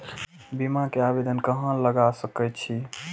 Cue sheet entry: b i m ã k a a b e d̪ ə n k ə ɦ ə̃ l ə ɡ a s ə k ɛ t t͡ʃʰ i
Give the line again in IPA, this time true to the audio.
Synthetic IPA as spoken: b i m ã k e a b e d̪ ə n k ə ɦ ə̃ l ə ɡ a s ə k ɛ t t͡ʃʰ i

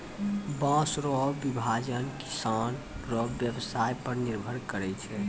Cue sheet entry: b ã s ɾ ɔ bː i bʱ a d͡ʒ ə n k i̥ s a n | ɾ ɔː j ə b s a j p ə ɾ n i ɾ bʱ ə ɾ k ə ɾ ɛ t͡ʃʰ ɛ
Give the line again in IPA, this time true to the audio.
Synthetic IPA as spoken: b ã s ɾ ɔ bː i bʱ a d͡ʒ ə n k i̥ s a n | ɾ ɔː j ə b s a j p ə ɾ n i ɾ bʱ ə ɾ k ə ɾ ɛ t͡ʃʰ ɛ

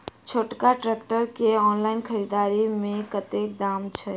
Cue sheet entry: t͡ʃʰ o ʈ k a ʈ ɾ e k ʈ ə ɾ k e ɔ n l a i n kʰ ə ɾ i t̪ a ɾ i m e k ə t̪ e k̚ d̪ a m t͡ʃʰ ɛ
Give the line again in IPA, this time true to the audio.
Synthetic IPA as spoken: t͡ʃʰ o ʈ k a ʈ ɾ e k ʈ ə ɾ k e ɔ n l a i n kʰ ə ɾ i d̪ a ɾ i m e k ə t̪ e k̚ d̪ a m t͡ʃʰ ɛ

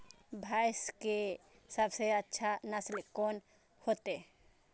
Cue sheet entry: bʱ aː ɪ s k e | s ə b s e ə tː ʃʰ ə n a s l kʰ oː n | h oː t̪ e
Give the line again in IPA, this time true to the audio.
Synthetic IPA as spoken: bʱ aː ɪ s k e | s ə b s e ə tː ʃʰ a n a s l k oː n | h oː t̪ e

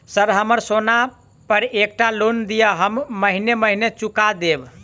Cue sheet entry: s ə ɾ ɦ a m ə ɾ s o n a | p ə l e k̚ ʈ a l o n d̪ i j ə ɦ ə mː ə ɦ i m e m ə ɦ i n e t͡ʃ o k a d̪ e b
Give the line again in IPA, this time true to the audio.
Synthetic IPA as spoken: s ə ɾ ɦ ə m ə ɾ s o n a | p ə ɾ e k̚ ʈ a l o n d̪ i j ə ɦ ə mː ə ɦ i n e m ə ɦ i n e t͡ʃ u k a d̪ e b

